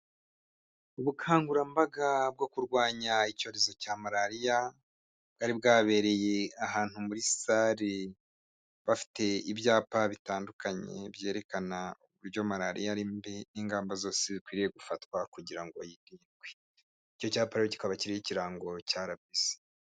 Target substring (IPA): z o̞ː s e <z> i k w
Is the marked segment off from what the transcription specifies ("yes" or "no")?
no